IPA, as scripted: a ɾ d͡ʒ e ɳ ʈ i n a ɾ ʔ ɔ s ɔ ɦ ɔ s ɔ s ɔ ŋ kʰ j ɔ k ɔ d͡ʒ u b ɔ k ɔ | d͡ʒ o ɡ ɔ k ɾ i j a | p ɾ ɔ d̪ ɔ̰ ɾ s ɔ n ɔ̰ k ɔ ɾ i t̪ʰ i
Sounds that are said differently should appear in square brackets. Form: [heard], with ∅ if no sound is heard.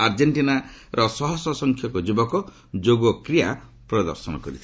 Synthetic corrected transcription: a ɾ d͡ʒ e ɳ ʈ i n a ɾ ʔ ɔ s ɔ ɦ ɔ s ɔ s ɔ ŋ kʰ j ɔ k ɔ d͡ʒ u b ɔ k ɔ | d͡ʒ o ɡ ɔ k ɾ i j a | p ɾ ɔ d̪ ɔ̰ ɾ s ɔ n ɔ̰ k ɔ ɾ i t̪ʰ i